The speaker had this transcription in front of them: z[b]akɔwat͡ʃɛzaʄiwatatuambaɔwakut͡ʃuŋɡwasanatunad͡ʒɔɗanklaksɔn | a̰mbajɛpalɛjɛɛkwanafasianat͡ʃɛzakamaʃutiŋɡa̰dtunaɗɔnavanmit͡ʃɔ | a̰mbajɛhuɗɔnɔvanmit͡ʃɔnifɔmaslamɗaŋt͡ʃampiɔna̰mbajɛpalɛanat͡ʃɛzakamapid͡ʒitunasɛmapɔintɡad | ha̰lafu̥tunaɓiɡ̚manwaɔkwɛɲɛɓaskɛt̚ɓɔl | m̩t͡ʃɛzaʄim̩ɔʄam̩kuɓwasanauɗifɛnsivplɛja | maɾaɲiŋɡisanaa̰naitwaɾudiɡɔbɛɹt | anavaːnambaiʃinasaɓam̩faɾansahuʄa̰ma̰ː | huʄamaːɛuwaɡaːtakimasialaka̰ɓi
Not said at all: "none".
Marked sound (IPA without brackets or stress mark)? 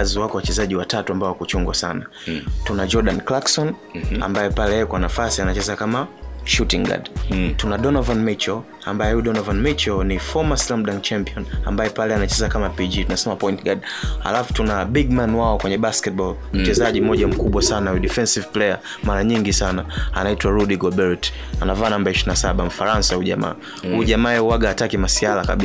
w